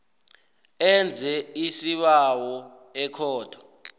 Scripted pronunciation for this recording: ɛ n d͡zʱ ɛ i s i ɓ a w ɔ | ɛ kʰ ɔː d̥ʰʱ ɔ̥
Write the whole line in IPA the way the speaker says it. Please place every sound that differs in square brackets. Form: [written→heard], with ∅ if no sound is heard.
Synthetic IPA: ɛ n d͡zʱ ɛ i s i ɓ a w ɔ | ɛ kʰ ɔː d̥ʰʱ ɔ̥